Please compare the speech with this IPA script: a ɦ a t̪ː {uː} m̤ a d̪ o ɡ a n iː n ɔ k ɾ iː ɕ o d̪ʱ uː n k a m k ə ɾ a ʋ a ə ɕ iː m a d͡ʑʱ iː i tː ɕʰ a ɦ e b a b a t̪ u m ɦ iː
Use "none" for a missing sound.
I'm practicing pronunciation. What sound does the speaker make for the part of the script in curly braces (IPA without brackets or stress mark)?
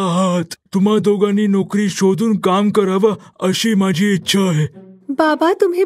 u